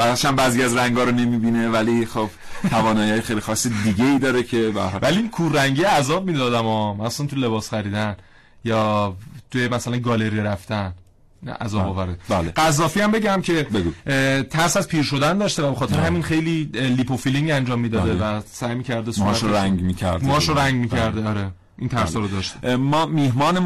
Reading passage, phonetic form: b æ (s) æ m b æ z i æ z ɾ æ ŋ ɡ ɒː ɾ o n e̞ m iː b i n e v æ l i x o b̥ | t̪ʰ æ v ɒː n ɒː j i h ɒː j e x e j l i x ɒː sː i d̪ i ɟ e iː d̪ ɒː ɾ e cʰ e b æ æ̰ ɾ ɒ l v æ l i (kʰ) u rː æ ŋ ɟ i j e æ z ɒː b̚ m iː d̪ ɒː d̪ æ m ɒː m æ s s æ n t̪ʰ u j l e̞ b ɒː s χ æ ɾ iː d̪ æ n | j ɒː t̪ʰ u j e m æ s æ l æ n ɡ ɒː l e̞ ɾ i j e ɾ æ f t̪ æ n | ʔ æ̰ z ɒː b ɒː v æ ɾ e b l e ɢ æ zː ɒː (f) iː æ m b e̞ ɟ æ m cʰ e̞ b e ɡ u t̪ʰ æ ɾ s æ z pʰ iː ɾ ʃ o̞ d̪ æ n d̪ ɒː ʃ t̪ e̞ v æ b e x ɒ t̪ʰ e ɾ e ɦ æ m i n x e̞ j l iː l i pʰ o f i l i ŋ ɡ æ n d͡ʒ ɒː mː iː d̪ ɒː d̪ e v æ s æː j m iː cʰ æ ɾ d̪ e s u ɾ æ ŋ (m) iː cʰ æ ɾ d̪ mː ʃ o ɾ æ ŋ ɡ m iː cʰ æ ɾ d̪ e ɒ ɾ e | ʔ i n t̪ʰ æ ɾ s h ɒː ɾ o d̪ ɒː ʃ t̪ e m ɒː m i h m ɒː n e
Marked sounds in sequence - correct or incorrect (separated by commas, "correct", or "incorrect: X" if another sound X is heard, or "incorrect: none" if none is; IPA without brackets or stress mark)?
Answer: incorrect: ʃ, correct, correct, correct